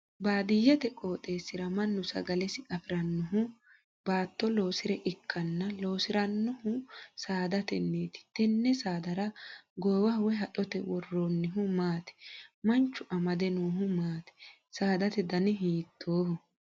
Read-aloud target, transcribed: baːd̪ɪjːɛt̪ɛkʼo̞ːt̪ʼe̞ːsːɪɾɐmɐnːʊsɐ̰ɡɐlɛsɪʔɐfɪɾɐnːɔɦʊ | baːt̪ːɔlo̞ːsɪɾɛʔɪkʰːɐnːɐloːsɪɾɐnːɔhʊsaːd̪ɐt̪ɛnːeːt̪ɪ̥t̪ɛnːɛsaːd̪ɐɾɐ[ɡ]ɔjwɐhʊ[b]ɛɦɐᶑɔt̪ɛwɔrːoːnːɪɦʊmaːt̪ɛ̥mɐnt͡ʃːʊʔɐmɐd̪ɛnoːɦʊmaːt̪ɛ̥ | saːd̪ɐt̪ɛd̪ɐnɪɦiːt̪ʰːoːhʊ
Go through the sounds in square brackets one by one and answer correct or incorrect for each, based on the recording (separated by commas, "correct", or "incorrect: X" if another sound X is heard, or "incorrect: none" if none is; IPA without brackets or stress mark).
correct, incorrect: w